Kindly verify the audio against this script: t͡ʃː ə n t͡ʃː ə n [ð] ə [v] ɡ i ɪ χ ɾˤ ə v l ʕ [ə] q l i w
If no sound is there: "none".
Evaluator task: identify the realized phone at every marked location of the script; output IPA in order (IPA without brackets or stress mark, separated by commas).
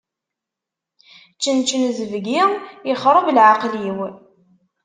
z, v, a